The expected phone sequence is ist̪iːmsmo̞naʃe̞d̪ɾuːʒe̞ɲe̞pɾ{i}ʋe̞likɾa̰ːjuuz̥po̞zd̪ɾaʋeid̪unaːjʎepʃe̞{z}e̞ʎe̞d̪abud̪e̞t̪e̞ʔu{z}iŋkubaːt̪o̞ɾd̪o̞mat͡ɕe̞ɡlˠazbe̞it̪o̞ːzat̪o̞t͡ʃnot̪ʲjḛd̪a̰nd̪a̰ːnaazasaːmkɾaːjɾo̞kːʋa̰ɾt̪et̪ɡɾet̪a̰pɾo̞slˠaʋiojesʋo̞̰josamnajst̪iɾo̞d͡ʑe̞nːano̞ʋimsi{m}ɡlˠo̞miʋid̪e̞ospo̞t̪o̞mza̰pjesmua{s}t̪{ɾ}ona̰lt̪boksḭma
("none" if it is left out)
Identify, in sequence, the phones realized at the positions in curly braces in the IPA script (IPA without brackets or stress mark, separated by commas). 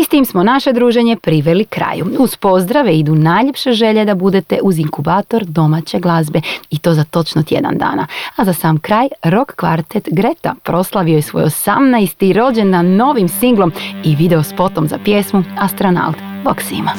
i, ʒ, z, ŋ, s, ɾ